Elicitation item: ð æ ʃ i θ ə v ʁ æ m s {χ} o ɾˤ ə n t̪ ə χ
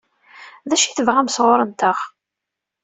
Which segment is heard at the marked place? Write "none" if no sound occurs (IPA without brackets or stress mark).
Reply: ʁ